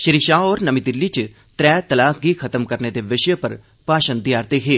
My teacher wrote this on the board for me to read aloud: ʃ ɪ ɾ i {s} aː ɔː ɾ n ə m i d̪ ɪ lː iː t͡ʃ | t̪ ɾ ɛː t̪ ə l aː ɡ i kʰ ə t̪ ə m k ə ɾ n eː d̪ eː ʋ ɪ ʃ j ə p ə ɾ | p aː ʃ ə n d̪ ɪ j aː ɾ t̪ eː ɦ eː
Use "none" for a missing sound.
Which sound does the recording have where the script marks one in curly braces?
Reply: ʃ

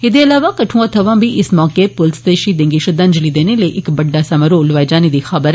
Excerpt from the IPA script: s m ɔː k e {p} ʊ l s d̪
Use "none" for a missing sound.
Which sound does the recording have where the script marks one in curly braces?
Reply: p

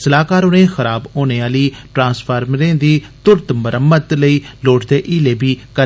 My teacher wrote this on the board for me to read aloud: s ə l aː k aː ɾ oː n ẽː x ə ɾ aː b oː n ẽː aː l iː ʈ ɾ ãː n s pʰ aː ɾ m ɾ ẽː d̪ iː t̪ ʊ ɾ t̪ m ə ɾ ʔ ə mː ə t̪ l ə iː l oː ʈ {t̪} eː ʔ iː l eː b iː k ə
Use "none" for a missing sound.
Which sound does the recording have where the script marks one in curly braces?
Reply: d̪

